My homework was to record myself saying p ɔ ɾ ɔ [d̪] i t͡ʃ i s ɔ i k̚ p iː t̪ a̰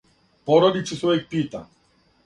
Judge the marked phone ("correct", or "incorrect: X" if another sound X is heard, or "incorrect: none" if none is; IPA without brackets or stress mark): correct